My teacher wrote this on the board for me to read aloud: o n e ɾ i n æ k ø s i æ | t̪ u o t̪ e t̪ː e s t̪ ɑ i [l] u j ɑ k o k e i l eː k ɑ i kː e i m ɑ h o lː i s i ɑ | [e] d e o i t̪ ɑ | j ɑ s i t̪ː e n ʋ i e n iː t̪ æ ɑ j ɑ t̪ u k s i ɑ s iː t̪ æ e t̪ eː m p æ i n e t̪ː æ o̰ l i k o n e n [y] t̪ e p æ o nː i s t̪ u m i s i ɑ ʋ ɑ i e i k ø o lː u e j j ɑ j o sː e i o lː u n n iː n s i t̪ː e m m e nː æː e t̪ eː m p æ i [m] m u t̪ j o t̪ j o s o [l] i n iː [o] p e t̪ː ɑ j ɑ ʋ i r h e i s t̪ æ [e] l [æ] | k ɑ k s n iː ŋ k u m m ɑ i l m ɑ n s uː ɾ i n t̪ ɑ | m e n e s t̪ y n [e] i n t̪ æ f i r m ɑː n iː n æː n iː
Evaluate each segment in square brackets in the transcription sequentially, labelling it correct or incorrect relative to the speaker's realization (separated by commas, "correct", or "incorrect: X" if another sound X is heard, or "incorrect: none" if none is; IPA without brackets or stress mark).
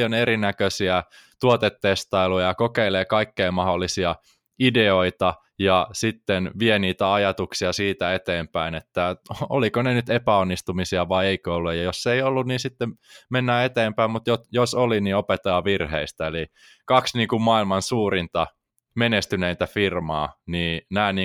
correct, incorrect: i, correct, correct, correct, correct, correct, incorrect: i, correct